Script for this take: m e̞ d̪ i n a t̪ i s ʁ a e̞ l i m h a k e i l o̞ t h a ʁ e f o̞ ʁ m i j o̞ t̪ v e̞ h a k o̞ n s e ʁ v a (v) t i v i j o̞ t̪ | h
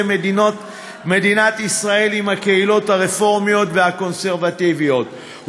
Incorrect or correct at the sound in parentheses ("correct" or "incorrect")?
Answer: incorrect